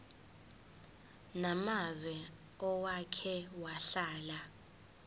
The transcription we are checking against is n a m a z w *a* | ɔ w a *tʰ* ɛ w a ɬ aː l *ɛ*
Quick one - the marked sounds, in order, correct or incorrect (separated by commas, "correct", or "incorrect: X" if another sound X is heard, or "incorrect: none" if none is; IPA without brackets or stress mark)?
incorrect: ɛ, incorrect: kʰ, incorrect: a